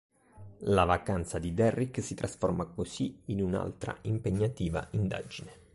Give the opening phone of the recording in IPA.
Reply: l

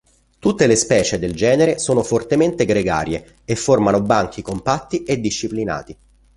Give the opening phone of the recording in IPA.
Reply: t̪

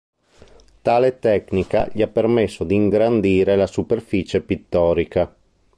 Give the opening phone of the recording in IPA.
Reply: t̪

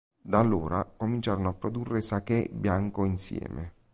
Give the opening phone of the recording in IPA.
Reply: d̪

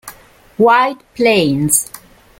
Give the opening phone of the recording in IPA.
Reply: w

